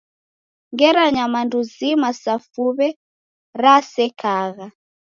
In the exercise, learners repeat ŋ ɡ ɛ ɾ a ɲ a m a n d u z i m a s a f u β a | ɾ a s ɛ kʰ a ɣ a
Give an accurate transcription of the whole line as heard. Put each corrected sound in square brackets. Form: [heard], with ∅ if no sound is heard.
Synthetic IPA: ŋ ɡ ɛ ɾ a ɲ a m a n d u z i m a s a f u β [ɛ] | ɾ a s ɛ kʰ a ɣ a